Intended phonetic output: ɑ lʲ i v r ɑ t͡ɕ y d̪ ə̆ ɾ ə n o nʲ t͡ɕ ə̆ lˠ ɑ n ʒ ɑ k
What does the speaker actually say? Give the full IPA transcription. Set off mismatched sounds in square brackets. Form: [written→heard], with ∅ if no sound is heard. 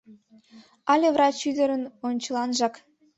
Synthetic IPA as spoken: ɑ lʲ [i→e] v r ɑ t͡ɕ y d̪ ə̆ ɾ ə n o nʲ t͡ɕ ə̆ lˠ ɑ n ʒ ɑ k